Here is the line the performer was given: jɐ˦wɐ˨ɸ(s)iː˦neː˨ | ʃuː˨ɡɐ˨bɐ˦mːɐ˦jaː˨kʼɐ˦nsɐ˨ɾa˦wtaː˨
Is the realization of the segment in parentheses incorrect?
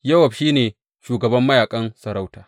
yes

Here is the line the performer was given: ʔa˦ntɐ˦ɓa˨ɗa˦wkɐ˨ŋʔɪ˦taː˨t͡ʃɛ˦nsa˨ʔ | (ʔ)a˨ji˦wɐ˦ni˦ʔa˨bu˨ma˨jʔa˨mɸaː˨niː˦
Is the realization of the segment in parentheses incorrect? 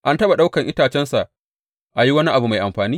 no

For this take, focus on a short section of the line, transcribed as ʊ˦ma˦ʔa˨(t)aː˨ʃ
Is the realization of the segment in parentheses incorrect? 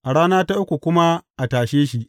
no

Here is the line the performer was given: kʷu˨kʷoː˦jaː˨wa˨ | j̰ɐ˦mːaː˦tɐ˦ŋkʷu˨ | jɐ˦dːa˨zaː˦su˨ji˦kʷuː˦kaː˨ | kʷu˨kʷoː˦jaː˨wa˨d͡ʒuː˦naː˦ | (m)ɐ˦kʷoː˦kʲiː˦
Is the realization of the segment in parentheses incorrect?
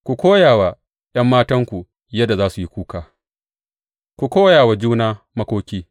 no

